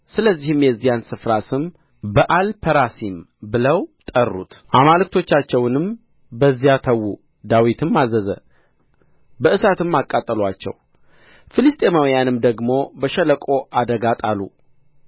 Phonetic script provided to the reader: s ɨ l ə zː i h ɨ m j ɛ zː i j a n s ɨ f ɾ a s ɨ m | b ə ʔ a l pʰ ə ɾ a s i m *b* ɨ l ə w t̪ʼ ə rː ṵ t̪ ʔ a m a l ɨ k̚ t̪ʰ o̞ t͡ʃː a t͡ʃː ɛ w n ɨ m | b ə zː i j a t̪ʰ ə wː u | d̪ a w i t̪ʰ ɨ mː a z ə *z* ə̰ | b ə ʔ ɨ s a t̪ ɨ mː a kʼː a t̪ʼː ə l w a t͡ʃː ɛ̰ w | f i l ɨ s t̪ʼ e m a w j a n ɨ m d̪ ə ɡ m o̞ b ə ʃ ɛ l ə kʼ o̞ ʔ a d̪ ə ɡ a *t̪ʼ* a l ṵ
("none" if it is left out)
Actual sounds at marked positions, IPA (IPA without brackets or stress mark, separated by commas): b, z, t̪ʼ